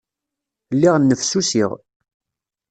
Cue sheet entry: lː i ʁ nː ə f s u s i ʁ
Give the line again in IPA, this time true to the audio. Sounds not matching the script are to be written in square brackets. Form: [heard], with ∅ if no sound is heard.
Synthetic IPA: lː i ʁ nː ə f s u s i ʁ